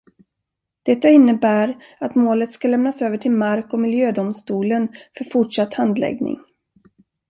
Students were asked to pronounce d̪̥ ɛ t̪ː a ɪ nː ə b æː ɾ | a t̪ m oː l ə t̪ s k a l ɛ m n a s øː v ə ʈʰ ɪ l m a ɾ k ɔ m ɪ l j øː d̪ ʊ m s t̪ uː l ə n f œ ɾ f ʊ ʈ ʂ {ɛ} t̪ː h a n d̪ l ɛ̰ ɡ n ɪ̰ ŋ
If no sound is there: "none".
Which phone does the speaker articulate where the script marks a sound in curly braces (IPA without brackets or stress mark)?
a